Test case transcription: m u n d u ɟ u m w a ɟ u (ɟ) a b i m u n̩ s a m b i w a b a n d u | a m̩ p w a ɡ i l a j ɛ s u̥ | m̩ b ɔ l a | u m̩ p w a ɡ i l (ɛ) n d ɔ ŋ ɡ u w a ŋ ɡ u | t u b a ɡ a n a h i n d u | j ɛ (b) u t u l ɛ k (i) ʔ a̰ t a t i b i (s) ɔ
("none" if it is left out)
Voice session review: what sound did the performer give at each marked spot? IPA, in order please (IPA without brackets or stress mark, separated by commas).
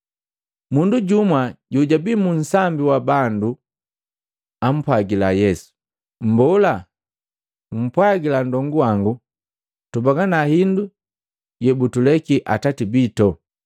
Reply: ɟ, a, b, i, t